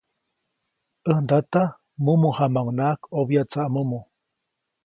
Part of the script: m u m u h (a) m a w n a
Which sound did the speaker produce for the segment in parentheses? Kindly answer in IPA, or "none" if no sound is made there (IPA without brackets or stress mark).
a